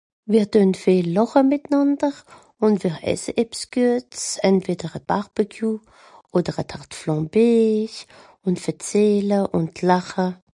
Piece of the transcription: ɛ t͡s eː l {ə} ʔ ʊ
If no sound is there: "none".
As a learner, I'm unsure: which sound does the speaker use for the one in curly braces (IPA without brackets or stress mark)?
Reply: ə